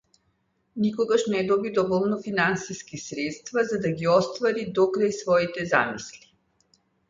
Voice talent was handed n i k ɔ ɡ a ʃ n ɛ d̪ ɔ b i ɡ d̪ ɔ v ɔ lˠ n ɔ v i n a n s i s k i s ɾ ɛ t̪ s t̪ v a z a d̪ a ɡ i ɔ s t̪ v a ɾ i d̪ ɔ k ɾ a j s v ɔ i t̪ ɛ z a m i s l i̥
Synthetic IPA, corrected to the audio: n i k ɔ ɡ a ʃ n ɛ d̪ ɔ b i d̪ ɔ v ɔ lˠ n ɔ f i n a n s i s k i s ɾ ɛ t̪ s t̪ v a z a d̪ a ɡ i ɔ s t̪ v a ɾ i d̪ ɔ k ɾ a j s v ɔ i t̪ ɛ z a m i s l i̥